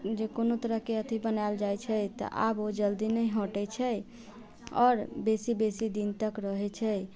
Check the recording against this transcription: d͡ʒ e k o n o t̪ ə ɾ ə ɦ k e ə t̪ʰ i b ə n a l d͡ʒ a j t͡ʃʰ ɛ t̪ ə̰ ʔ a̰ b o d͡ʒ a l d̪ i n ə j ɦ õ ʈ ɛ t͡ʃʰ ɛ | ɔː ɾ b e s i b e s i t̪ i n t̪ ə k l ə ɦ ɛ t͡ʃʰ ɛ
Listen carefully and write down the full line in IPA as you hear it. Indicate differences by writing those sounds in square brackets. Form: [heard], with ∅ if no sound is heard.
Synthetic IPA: d͡ʒ e k o n o t̪ ə ɾ ə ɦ k e ə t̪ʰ i b ə n a l d͡ʒ a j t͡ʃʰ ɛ t̪ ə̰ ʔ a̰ b o d͡ʒ [ə] l d̪ i n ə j ɦ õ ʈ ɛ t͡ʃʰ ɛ | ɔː ɾ b e s i b e s i [d̪] i n t̪ ə k [ɾ] ə ɦ ɛ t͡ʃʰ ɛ